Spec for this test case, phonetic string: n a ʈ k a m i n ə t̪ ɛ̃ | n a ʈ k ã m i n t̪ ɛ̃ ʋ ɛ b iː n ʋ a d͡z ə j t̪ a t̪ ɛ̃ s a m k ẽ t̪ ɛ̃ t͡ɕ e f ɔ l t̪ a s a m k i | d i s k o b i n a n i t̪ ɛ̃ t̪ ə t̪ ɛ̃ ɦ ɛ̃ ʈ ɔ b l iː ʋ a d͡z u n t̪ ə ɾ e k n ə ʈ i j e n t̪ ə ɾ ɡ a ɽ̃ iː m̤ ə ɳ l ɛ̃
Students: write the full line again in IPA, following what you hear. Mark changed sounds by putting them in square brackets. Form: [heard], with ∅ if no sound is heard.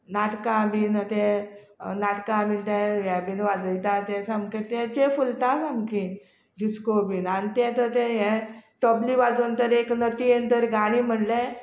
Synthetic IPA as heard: n a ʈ k a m i n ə t̪ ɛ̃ | n a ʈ k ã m i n t̪ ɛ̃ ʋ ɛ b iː n ʋ a d͡z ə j t̪ a t̪ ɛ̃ s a m k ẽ t̪ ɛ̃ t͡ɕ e f [u] l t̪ a s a m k i | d i s k o b i n a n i t̪ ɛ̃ t̪ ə t̪ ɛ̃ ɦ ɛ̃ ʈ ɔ b l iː ʋ a d͡z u n t̪ ə ɾ e k n ə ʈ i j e n t̪ ə ɾ ɡ a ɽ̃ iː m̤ ə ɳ l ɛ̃

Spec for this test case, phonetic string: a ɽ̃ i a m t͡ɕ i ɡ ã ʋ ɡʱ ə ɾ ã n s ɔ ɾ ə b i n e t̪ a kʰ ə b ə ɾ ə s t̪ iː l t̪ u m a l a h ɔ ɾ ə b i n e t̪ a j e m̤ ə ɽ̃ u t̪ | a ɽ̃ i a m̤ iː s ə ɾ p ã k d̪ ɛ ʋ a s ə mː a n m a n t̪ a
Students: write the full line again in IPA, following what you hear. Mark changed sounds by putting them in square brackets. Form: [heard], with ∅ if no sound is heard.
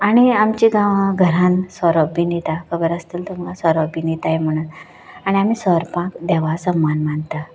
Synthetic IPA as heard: a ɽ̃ i a m t͡ɕ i ɡ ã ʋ ɡʱ ə ɾ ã n s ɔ ɾ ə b i n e t̪ a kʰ ə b ə ɾ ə s t̪ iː l t̪ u m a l a [s] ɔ ɾ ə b i n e t̪ a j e m̤ ə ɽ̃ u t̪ | a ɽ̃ i a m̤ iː s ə ɾ p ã k d̪ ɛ ʋ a s ə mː a n m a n t̪ a

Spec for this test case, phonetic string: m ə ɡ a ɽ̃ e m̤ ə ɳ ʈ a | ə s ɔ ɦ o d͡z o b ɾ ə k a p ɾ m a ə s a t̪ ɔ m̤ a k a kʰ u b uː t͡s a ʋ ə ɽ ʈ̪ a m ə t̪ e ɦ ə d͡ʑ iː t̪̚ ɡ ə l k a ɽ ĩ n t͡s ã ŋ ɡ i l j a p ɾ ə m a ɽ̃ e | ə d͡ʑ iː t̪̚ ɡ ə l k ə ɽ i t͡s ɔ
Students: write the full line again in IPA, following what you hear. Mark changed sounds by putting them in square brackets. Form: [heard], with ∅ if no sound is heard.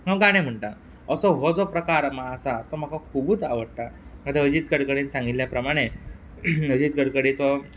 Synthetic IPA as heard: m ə ɡ a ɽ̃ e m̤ ə ɳ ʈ a | ə s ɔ ɦ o d͡z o [p] ɾ ə k a [∅] ɾ m a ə s a t̪ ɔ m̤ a k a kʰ u b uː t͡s a ʋ ə ɽ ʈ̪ a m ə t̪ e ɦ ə d͡ʑ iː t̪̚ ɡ ə [ɽ] k [ə] ɽ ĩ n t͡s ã ŋ ɡ i l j a p ɾ ə m a ɽ̃ e | ə d͡ʑ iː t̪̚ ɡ ə [ɽ] k ə ɽ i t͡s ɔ

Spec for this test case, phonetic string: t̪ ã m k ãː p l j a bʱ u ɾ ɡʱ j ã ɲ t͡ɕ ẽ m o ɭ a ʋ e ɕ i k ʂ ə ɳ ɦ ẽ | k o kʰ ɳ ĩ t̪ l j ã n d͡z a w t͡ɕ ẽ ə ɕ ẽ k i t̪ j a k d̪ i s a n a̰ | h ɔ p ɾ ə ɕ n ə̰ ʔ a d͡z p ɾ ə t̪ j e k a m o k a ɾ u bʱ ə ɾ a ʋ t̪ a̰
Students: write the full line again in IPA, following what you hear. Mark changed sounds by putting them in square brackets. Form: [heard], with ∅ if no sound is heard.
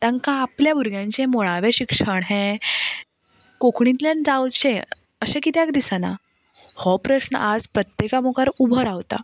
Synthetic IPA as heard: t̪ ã [ŋ] k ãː p l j a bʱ u ɾ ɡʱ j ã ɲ t͡ɕ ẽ m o ɭ a ʋ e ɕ i k ʂ ə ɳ ɦ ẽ | k o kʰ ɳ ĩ t̪ l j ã n d͡z a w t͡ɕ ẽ ə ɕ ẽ k i t̪ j a k d̪ i s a n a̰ | h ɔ p ɾ ə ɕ n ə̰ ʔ a d͡z p ɾ ə t̪ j e k a m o k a ɾ u bʱ ə ɾ a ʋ t̪ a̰

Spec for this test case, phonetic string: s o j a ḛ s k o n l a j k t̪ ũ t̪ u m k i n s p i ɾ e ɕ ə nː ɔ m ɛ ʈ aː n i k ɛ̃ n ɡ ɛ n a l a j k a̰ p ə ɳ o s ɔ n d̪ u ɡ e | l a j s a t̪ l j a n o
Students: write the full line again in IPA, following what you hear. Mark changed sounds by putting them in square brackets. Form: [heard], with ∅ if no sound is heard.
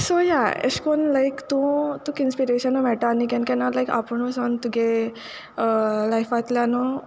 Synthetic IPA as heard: s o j a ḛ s k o n l a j k t̪ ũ t̪ u [∅] k i n s p i ɾ e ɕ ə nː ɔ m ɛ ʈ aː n i k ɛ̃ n [k] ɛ n a l a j k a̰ p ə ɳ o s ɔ n [t̪] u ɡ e | l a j [f] a t̪ l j a n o

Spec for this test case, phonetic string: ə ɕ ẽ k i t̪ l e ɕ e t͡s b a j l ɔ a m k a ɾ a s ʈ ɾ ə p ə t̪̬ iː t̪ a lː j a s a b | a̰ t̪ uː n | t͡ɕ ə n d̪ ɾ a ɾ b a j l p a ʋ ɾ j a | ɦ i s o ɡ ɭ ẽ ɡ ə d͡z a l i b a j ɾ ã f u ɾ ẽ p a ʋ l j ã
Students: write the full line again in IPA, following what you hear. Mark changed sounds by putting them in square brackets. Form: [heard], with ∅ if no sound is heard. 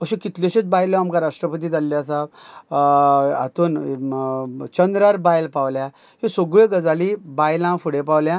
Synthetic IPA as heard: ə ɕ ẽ k i t̪ l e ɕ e t͡s b a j l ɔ a m k a ɾ a [ʂ] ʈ ɾ ə p ə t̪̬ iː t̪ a lː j a s a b | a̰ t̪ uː n | t͡ɕ ə n d̪ ɾ a ɾ b a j l p a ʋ [l] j a | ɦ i s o ɡ ɭ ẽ ɡ ə d͡z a l i b a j [l] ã f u [ɽ] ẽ p a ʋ l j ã

